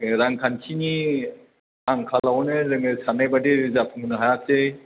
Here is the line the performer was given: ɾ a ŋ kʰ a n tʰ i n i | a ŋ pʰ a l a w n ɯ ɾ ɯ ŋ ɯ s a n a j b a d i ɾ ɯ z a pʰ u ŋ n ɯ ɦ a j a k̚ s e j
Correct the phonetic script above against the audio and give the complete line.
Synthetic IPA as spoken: ɾ a ŋ kʰ a n kʰ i n i | a ŋ kʰ a l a w n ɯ ɾ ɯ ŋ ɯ s a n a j b a d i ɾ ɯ z a pʰ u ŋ n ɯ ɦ a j a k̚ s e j